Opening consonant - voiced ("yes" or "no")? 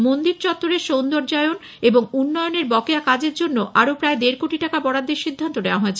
yes